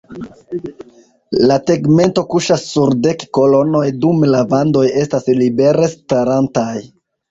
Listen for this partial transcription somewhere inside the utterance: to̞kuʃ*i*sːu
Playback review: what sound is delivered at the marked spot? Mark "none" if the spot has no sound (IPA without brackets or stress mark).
a